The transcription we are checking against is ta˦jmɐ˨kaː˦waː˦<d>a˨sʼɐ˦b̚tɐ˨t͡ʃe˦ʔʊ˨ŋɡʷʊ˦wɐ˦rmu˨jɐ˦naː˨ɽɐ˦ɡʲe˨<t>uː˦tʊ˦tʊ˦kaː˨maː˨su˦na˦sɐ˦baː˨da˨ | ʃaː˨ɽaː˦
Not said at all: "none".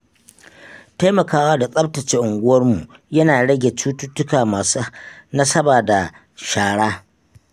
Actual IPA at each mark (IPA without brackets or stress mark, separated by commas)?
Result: d, t͡ʃ